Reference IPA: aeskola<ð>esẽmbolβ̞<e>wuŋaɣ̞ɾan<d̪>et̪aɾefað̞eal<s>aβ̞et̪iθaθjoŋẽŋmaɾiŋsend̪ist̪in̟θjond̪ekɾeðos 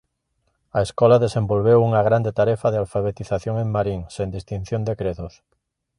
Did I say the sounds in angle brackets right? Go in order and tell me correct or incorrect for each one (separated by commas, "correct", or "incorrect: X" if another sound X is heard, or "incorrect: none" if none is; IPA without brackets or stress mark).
correct, correct, correct, incorrect: f